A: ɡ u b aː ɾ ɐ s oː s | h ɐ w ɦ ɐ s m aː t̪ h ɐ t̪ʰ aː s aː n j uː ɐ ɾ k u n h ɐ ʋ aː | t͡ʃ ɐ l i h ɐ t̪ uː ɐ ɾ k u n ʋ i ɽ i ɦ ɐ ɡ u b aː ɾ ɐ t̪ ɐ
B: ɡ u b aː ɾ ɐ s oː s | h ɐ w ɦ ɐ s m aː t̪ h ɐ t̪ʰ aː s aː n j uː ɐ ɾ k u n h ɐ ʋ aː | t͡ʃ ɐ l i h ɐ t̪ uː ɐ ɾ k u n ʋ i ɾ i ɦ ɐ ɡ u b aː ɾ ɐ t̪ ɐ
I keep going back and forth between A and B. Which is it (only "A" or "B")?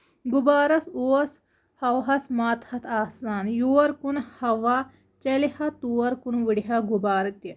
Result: A